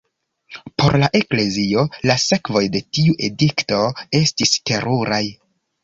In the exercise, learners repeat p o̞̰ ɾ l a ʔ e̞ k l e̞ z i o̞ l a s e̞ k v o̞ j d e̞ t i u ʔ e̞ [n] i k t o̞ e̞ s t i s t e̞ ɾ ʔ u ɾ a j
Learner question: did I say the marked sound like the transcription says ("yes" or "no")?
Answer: no